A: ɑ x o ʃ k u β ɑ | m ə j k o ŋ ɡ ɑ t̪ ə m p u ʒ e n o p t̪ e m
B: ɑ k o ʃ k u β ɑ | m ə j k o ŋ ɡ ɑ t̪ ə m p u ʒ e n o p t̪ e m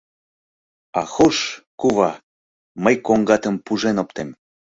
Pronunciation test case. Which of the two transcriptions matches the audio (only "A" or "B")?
A